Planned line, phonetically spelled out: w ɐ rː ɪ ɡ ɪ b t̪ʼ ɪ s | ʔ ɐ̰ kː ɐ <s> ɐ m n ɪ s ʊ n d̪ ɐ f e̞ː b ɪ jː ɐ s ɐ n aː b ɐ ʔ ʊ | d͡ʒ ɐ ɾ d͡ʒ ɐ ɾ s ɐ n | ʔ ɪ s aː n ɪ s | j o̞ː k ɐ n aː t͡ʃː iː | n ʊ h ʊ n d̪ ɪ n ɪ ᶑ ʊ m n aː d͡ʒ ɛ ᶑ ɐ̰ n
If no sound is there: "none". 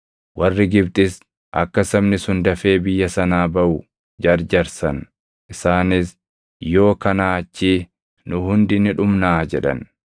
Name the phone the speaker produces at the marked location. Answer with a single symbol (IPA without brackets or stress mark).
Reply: s